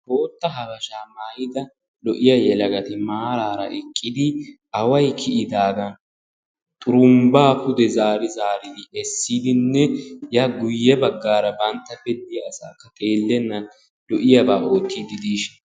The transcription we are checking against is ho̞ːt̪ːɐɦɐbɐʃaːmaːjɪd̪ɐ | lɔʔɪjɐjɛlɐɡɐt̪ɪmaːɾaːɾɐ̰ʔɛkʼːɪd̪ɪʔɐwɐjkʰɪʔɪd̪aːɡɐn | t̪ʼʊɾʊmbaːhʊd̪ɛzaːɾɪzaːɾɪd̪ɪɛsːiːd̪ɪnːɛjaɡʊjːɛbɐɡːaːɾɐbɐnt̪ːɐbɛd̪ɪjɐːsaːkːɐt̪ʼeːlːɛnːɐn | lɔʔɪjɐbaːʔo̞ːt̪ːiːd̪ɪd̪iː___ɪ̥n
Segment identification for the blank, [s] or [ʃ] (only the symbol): ʃ